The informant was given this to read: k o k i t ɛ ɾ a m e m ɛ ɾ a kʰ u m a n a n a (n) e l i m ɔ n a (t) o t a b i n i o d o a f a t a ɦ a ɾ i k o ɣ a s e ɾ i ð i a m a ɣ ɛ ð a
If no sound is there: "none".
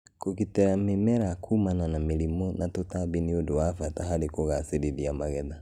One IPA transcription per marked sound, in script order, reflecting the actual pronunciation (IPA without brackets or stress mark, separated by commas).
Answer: m, t